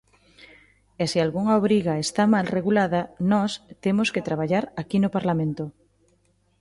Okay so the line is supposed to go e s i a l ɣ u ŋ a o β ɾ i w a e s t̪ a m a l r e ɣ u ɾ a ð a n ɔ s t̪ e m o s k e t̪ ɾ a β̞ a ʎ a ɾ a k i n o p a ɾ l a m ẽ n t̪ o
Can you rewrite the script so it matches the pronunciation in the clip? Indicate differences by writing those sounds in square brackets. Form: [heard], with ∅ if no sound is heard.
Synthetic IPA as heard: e s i a l ɣ u ŋ a o β ɾ i [ɣ] a e s t̪ a m a l r e ɣ u [l] a ð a n ɔ s t̪ e m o s k e t̪ ɾ a β̞ a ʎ a ɾ a k i n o p a ɾ l a m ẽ n t̪ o